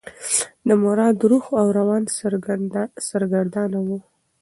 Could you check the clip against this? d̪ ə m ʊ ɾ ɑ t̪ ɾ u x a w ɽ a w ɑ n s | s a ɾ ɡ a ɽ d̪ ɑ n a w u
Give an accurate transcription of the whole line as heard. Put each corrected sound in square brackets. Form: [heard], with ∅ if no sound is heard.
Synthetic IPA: d̪ ə m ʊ ɾ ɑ [d̪] ɾ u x a w [ɾ] a w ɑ n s | s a ɾ ɡ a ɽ d̪ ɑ n a w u